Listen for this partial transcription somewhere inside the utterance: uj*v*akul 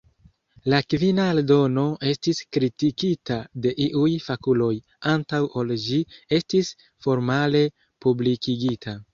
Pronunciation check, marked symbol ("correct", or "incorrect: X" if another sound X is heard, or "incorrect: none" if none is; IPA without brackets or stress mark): incorrect: f